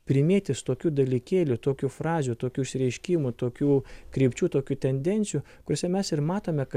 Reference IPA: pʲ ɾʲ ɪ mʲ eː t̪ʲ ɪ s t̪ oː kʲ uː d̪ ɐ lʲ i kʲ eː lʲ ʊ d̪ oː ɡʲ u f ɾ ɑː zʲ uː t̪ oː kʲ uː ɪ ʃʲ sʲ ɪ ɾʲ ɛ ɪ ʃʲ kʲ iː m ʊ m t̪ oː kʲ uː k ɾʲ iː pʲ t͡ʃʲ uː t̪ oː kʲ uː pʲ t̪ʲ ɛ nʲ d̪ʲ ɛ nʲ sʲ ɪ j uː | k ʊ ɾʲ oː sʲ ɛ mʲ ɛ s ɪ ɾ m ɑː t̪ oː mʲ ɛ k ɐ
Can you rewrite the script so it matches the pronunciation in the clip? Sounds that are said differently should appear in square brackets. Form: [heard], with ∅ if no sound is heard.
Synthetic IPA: pʲ ɾʲ ɪ mʲ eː t̪ʲ ɪ s t̪ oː kʲ uː d̪ ɐ lʲ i kʲ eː lʲ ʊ [t̪] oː [kʲ] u f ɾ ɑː zʲ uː t̪ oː kʲ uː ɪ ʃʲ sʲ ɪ ɾʲ ɛ ɪ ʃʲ kʲ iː m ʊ [∅] t̪ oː kʲ uː k ɾʲ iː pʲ t͡ʃʲ uː t̪ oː kʲ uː [∅] t̪ʲ ɛ nʲ d̪ʲ ɛ nʲ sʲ ɪ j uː | k ʊ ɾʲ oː sʲ ɛ mʲ ɛ s ɪ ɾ m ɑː t̪ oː mʲ ɛ k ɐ